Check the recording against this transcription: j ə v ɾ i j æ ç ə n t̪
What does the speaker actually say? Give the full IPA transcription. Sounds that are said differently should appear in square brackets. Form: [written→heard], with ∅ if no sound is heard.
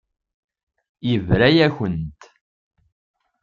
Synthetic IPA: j ə v ɾ [i→æ] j æ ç ə n t̪